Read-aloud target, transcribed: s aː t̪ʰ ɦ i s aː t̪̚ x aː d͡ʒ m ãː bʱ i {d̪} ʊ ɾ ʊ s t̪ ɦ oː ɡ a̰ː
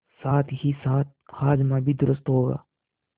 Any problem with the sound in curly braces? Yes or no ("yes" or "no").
no